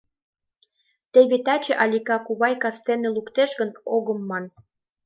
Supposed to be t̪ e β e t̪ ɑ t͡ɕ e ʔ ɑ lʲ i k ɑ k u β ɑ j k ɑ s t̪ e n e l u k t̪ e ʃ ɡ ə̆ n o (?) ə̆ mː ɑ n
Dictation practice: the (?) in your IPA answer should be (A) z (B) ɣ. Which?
B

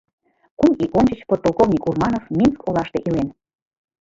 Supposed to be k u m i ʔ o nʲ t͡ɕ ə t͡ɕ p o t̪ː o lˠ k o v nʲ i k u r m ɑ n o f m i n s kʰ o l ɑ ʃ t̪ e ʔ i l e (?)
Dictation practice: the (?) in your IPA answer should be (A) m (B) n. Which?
B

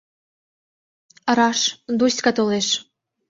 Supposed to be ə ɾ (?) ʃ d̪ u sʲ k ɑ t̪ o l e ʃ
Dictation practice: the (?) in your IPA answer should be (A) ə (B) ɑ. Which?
B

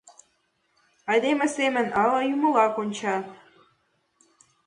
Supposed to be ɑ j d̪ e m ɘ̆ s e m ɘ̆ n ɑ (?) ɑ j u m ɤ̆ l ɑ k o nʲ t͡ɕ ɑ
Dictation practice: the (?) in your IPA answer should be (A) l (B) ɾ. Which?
A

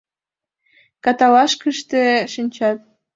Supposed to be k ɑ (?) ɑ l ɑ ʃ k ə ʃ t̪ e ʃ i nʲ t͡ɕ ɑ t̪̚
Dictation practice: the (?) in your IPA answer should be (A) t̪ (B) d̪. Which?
A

